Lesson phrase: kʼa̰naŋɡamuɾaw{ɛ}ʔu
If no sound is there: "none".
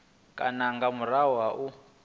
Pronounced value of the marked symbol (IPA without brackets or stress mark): a